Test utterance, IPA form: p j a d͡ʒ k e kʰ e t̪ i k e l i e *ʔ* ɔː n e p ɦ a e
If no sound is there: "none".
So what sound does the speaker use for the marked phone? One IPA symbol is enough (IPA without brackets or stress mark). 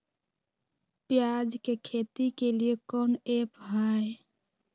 k